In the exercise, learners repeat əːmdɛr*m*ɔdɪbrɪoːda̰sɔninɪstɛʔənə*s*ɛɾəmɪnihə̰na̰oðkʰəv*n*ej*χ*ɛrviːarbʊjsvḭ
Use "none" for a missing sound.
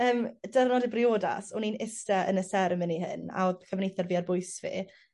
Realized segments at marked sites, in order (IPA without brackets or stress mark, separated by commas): n, s, n, θ